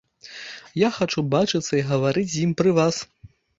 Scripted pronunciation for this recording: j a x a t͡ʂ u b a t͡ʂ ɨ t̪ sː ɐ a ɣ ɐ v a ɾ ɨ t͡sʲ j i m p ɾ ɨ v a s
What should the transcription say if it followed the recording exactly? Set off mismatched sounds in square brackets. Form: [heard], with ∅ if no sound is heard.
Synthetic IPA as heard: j a x a t͡ʂ u b a t͡ʂ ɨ t̪ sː ɐ [i] ɣ ɐ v a ɾ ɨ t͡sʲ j i m p ɾ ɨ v a s